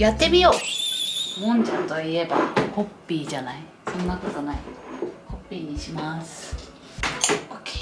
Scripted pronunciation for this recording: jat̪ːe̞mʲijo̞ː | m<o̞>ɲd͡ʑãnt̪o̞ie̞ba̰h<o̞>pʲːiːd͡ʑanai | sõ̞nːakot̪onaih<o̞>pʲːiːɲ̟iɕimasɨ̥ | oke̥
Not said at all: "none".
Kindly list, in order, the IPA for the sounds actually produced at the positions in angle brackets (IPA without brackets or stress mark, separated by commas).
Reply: õ̞, o̞, o̞